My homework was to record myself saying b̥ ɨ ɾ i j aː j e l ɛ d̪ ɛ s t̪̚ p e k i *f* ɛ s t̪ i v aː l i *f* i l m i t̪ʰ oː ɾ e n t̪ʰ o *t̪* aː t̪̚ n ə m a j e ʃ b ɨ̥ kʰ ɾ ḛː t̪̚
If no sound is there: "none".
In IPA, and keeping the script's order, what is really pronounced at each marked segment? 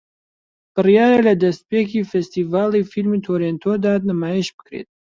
f, f, d̪

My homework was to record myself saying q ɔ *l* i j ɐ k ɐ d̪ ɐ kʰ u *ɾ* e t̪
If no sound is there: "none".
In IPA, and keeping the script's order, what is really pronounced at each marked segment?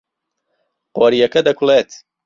ɾ, l

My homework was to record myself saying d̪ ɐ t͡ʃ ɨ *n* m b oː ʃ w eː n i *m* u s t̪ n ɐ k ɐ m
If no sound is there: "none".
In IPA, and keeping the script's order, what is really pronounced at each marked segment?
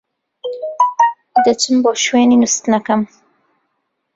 none, n

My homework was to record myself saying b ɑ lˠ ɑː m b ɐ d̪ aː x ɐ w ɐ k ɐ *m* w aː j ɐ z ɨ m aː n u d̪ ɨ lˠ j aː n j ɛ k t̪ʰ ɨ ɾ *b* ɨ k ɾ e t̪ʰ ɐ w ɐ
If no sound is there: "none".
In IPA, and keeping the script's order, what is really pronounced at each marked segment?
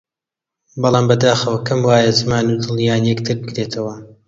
m, b

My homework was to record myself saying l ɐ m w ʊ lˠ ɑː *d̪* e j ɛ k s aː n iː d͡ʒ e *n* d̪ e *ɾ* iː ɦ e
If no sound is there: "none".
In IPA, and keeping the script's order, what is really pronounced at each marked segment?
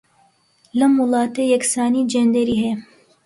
t̪, n, ɾ

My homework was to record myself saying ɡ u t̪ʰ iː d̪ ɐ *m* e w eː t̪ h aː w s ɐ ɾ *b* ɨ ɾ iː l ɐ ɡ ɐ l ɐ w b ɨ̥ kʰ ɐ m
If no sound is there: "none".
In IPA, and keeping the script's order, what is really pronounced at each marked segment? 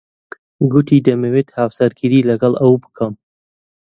m, ɡ

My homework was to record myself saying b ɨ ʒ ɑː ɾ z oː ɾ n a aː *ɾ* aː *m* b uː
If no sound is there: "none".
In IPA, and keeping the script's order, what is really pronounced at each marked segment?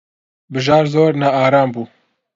ɾ, m

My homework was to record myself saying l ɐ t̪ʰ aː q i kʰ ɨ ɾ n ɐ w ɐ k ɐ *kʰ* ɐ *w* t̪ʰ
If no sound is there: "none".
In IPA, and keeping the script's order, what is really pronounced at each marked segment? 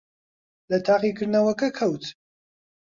kʰ, w

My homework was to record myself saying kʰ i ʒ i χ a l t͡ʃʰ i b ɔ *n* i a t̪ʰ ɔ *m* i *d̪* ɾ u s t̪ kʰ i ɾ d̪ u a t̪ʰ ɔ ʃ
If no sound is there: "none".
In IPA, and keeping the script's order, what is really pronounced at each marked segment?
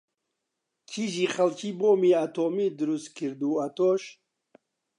m, m, d̪

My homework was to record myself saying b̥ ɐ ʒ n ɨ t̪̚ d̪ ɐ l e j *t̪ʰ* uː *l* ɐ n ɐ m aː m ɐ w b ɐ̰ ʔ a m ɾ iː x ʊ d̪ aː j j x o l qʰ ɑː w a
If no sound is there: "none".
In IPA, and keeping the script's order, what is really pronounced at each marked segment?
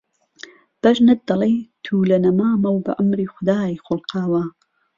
t̪ʰ, l

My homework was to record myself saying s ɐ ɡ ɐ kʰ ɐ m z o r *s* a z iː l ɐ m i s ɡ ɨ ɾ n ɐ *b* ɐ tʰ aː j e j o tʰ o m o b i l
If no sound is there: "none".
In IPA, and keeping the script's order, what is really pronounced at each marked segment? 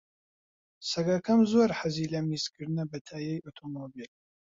ħ, b

